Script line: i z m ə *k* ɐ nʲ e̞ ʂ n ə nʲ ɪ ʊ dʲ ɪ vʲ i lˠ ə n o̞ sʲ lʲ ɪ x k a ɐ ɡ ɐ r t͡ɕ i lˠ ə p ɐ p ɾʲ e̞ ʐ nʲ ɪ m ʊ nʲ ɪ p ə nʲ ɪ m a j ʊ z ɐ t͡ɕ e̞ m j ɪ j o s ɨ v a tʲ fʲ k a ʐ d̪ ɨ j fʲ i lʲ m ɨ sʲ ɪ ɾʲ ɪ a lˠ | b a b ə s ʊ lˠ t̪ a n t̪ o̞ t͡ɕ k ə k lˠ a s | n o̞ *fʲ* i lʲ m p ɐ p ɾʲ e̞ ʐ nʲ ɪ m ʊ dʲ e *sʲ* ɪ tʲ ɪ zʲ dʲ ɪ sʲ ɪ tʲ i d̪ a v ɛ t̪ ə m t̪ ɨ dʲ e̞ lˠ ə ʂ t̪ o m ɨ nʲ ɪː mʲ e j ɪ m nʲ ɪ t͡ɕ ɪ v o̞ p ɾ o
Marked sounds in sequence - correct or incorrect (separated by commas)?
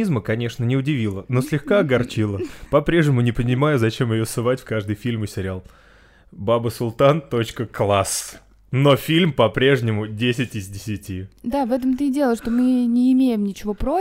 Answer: correct, correct, correct